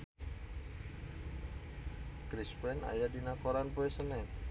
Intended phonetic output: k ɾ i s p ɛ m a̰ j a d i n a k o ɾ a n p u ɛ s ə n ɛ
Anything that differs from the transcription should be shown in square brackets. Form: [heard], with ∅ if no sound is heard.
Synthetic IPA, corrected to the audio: k ɾ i s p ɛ [n] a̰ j a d i n a k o ɾ a n p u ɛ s ə n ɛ